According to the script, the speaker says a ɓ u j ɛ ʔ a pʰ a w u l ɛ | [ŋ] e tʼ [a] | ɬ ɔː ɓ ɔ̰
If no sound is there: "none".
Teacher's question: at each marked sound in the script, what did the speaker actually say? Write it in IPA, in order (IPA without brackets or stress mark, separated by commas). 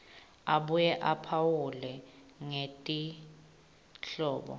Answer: ŋ, i